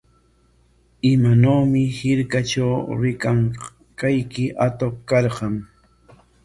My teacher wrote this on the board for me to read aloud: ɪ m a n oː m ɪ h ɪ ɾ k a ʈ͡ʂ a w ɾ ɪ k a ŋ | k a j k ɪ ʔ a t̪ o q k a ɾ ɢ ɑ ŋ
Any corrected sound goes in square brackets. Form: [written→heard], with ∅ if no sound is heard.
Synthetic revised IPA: ɪ m a n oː m ɪ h ɪ ɾ k a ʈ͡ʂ a w ɾ ɪ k a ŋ | k a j k ɪ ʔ a t̪ o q k [a→ɑ] ɾ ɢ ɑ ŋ